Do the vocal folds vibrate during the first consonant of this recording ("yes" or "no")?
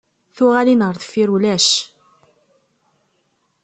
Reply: no